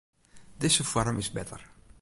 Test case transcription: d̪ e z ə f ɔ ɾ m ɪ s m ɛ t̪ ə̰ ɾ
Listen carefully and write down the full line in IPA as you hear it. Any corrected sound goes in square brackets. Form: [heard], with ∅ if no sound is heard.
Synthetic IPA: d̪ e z ə f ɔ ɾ m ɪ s [b] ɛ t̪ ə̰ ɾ